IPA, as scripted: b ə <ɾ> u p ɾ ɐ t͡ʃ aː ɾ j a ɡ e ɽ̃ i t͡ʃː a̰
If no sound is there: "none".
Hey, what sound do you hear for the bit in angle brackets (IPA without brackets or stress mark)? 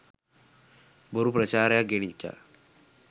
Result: ɾ